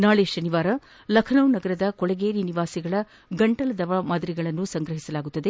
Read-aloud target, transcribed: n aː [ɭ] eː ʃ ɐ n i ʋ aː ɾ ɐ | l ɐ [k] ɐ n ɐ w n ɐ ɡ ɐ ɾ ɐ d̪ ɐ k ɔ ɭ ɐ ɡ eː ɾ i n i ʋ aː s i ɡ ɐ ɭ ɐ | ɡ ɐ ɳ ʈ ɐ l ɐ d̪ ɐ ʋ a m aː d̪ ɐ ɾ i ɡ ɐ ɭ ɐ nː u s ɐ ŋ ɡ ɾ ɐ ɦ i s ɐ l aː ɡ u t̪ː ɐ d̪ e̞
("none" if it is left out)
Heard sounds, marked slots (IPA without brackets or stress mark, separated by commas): ɭ, kʰ